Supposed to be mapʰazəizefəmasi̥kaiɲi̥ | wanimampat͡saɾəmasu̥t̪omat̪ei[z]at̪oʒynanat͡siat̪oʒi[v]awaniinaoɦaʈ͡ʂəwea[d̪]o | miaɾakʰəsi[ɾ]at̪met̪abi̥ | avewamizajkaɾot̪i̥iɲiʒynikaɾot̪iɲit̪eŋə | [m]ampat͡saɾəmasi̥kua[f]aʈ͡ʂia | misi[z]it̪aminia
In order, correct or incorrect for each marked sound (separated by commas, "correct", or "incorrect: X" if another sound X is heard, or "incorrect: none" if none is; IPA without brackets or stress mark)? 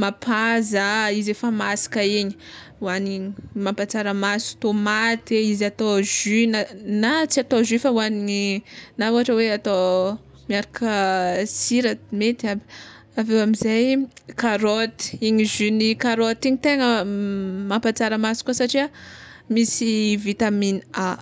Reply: correct, incorrect: f, incorrect: t̪, correct, correct, incorrect: s, incorrect: v